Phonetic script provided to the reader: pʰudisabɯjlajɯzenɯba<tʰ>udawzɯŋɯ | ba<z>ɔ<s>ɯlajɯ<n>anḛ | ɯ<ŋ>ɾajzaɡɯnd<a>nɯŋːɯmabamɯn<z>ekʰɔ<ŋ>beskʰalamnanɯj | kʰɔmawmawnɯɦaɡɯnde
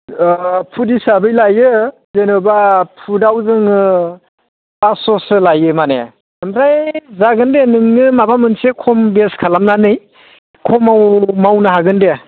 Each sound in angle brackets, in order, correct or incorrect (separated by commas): incorrect, incorrect, correct, incorrect, incorrect, incorrect, incorrect, incorrect